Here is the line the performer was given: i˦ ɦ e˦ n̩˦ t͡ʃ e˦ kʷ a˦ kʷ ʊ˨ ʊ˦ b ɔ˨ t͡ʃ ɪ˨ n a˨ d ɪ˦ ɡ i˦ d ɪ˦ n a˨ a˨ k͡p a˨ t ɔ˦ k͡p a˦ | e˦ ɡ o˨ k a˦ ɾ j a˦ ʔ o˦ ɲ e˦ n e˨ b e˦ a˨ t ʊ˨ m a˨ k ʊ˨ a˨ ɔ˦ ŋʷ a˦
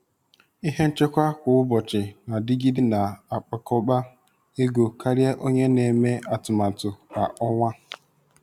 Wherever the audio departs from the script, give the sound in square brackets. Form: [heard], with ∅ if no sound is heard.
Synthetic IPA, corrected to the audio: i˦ ɦ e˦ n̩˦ t͡ʃ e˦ kʷ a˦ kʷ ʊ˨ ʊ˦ b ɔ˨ t͡ʃ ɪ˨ n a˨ d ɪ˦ ɡ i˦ d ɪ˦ n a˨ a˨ k͡p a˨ [k] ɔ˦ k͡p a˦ | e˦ ɡ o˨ k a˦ ɾ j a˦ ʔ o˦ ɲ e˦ n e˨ [m] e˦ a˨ t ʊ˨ m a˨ [t] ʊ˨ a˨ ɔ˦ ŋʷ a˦